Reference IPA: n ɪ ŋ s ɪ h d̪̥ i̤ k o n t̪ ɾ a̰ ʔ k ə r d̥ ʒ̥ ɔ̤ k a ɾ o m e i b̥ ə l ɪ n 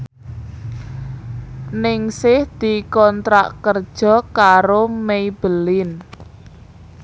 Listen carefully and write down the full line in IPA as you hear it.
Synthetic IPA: n ɪ ŋ s ɪ h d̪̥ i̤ k ɔ n t̪ ɾ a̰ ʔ k ə r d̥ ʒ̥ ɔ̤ k a ɾ o m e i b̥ ə l ɪ n